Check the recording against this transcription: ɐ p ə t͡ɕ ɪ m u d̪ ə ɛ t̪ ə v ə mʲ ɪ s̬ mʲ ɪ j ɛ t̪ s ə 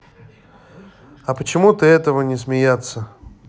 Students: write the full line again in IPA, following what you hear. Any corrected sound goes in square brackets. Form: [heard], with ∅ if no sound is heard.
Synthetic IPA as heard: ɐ p ə t͡ɕ ɪ m u [t̪] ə ɛ t̪ ə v ə [nʲ] ɪ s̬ mʲ ɪ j [a] t̪ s ə